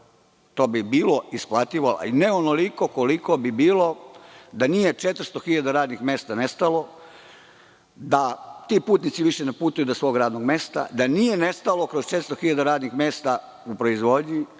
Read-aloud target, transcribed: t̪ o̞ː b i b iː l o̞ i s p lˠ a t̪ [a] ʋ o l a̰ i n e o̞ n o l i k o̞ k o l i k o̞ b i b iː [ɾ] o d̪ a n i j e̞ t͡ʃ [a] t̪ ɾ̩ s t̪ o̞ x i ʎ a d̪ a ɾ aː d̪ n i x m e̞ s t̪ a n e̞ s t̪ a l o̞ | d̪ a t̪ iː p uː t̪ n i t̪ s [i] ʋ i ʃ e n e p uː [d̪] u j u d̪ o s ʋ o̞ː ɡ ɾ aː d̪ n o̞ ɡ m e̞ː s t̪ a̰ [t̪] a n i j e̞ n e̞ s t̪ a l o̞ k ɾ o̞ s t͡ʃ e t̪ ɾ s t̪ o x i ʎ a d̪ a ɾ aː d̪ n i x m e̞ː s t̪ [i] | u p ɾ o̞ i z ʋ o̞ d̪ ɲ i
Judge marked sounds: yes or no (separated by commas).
no, no, no, yes, no, no, no